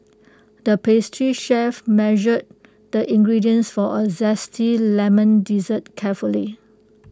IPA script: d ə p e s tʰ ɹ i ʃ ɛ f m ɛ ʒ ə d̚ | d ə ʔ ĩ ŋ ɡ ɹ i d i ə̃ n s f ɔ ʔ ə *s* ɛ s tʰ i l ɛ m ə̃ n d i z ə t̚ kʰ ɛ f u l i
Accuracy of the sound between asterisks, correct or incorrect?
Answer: incorrect: z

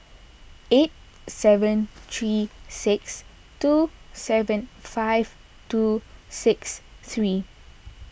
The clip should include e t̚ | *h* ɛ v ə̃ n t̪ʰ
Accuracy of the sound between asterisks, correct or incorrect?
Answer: incorrect: s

